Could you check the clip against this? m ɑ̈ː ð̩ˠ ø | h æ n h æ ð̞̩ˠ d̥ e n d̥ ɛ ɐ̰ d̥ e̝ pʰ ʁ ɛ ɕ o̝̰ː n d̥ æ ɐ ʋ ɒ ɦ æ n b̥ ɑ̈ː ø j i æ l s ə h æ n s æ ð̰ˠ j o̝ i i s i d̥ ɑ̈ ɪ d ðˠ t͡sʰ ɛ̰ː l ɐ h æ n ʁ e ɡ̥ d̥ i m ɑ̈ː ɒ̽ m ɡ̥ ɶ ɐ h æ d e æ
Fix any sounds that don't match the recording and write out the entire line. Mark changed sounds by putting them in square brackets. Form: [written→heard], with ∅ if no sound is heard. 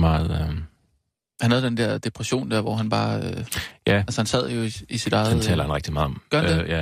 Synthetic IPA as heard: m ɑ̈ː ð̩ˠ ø | h æ n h æ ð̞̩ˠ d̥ e n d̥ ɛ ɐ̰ d̥ e̝ pʰ ʁ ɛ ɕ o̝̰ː n d̥ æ ɐ ʋ ɒ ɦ æ n b̥ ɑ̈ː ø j [i→æ] æ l s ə h æ n s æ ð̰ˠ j o̝ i i s i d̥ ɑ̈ ɪ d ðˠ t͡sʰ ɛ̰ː l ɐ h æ n ʁ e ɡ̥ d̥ i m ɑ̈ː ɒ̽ m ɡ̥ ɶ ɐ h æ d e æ